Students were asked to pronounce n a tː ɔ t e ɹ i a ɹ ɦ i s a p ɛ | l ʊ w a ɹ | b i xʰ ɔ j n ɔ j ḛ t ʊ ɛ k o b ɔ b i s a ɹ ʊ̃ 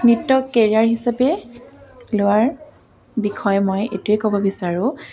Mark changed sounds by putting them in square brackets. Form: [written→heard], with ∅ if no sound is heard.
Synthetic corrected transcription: n [a→i] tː ɔ [t→k] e ɹ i a ɹ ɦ i s a p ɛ | l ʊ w a ɹ | b i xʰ ɔ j [n→m] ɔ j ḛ t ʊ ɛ k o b ɔ b i s a ɹ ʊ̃